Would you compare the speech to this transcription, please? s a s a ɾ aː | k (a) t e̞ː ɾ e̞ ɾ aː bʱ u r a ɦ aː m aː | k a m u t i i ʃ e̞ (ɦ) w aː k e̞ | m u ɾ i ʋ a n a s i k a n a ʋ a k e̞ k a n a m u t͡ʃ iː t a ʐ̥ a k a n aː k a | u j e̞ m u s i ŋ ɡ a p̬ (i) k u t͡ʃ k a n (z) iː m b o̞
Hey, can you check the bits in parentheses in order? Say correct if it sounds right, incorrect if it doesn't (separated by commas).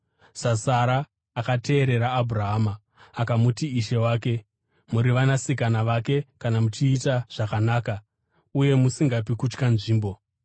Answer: correct, incorrect, correct, incorrect